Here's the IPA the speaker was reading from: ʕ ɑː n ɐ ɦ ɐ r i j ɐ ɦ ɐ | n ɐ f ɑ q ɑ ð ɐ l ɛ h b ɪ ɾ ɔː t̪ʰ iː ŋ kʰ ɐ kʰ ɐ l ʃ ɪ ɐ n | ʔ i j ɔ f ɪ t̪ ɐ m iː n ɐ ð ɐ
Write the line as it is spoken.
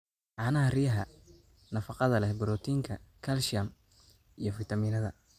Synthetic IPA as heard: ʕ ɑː n ɐ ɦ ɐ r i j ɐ ɦ ɐ | n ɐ f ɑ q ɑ ð ɐ l ɛ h b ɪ ɾ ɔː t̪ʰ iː ŋ kʰ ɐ kʰ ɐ l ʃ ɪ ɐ m | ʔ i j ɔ f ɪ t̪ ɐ m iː n ɐ ð ɐ